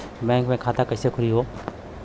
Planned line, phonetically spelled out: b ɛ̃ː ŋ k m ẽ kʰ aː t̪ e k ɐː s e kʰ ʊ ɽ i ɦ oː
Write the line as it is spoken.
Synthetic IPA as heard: b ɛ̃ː ŋ k m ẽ kʰ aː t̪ a k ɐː s e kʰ ʊ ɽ i ɦ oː